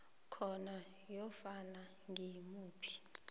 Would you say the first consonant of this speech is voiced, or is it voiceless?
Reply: voiceless